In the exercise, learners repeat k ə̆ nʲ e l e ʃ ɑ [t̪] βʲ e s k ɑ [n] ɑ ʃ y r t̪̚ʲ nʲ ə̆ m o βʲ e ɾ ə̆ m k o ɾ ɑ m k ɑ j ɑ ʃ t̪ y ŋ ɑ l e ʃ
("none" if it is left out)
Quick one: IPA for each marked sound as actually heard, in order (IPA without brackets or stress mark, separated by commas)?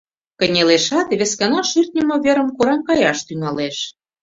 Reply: t̪, n